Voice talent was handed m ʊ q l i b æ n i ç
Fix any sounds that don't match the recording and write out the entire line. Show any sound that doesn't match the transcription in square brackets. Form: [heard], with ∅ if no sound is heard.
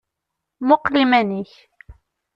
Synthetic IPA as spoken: m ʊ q l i [m] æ n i ç